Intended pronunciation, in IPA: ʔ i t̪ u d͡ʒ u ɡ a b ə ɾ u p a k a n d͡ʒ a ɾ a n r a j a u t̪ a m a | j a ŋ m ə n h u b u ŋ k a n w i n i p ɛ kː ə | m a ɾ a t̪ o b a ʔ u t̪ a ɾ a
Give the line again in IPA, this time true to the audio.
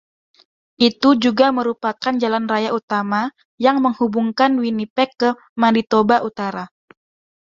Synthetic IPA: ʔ i t̪ u d͡ʒ u ɡ a m ə ɾ u p a k a n d͡ʒ a l a n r a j a u t̪ a m a | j a ŋ m ə ŋ h u b u ŋ k a n w i n i p ɛ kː ə | m a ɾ i t̪ o b a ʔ u t̪ a ɾ a